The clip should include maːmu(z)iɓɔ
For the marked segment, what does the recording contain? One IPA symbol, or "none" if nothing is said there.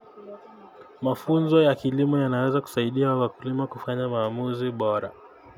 z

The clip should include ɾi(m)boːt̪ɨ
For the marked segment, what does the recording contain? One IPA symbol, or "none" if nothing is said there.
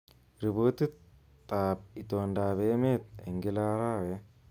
none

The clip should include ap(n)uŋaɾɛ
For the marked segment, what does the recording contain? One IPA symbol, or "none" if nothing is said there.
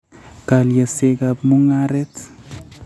m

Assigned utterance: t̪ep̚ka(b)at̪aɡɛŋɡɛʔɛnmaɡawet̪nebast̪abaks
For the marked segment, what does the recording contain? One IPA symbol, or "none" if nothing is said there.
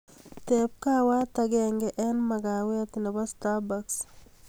w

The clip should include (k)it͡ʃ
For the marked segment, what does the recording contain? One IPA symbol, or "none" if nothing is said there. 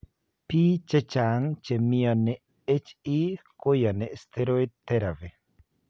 p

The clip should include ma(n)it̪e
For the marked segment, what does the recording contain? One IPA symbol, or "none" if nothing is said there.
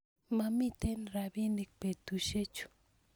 m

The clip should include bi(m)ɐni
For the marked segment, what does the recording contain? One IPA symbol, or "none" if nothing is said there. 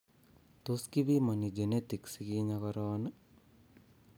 m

